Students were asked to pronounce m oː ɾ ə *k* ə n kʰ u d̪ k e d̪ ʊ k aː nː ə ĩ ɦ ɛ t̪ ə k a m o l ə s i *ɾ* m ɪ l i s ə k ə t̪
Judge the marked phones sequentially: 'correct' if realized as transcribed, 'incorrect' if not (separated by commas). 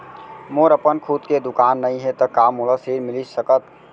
incorrect, correct